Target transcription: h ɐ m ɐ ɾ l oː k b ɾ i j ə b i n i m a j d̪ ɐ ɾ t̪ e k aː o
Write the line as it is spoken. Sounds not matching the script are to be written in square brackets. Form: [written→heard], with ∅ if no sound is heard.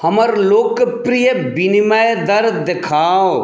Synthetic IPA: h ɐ m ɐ ɾ l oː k [b→p] ɾ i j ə b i n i m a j d̪ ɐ ɾ [t̪→d̪] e [k→kʰ] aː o